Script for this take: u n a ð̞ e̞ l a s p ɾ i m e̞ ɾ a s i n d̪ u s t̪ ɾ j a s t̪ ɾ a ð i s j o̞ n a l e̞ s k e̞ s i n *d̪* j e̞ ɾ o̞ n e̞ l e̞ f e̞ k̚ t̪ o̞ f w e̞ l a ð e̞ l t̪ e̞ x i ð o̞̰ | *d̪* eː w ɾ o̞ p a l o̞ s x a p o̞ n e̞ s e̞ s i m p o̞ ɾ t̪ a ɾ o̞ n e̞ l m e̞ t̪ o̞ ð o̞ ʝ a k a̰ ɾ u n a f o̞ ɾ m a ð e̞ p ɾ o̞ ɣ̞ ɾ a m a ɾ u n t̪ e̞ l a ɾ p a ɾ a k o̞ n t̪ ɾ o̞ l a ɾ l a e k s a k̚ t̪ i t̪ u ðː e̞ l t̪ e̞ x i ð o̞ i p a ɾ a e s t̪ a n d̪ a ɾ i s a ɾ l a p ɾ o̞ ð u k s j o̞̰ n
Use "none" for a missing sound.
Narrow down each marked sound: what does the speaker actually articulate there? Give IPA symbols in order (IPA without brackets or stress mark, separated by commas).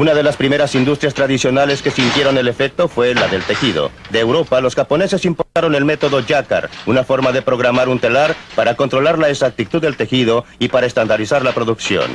t̪, d̪